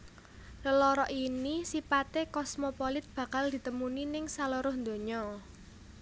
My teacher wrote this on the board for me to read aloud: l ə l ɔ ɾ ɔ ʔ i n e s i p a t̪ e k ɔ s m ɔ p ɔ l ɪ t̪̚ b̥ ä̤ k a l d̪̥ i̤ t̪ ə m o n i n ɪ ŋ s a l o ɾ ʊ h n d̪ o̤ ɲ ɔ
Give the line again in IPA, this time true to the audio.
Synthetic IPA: l ə l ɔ ɾ ɔ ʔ i n i s i p a t̪ e k ɔ s m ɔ p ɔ l ɪ t̪̚ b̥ ä̤ k a l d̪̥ i̤ t̪ ə m u n i n ɪ ŋ s a l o ɾ ʊ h n d̪ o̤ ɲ ɔ